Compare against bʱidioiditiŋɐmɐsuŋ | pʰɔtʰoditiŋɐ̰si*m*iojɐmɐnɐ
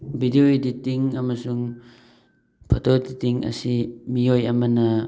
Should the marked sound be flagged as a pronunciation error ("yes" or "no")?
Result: no